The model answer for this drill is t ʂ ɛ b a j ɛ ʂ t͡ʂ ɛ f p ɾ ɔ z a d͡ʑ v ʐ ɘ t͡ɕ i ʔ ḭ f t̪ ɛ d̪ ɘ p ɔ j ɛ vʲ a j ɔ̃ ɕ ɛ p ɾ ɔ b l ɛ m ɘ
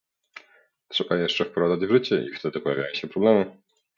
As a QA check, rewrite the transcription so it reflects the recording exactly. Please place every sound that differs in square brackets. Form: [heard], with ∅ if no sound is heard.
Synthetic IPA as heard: t ʂ ɛ b a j ɛ ʂ t͡ʂ ɛ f p ɾ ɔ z a d͡ʑ v ʐ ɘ t͡ɕ [ɛ] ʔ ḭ f t̪ ɛ d̪ ɘ p ɔ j [a] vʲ a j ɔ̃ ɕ ɛ p ɾ ɔ b l ɛ m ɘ